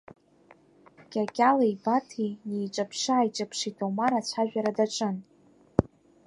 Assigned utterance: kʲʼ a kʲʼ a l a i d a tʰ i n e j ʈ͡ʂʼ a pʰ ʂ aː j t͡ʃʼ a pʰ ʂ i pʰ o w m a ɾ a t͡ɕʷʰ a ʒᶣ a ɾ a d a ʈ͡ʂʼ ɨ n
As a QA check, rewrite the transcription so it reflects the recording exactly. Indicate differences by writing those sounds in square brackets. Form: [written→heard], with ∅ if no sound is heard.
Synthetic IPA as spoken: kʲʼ a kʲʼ a l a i [d→b] a tʰ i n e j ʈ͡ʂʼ a pʰ ʂ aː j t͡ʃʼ a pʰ ʂ i [pʰ→tʰ] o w m a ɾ a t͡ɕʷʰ a ʒᶣ a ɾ a d a ʈ͡ʂʼ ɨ n